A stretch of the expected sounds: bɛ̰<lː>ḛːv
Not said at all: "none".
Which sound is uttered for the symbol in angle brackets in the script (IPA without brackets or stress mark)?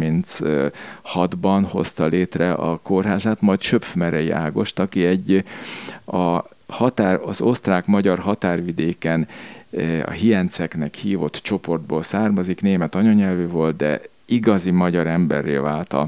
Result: rː